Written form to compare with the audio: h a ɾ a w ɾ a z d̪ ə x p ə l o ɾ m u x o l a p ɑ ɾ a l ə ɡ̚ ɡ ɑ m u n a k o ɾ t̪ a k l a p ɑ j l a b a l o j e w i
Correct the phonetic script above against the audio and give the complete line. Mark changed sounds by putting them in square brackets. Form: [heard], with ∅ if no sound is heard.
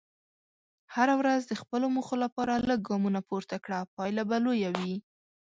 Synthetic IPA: h a ɾ a w ɾ a z d̪ ə x p ə l o [∅] m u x o l a p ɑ ɾ a l ə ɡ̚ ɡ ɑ m u n a [p] o ɾ t̪ a k [ɽ] a p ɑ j l a b a l o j [a] w i